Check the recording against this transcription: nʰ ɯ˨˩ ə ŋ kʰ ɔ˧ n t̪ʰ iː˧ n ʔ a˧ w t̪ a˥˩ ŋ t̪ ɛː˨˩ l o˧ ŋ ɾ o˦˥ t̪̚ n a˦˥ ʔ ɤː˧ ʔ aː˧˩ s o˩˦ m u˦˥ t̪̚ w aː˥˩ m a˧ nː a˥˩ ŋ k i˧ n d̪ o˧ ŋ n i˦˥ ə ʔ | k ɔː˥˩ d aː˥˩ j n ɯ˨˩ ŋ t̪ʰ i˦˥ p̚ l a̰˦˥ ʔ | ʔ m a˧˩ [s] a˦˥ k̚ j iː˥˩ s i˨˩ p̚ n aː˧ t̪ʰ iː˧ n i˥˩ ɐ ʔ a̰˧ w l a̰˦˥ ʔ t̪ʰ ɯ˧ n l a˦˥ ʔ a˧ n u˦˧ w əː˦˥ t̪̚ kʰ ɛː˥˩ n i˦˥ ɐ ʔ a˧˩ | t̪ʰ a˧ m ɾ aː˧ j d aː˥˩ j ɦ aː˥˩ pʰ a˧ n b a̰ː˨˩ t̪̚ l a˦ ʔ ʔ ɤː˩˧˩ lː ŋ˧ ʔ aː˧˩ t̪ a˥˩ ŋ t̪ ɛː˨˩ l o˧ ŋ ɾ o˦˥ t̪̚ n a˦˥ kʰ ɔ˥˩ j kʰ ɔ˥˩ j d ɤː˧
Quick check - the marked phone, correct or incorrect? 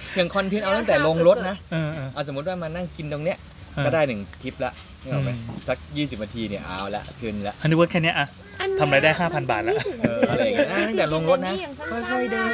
correct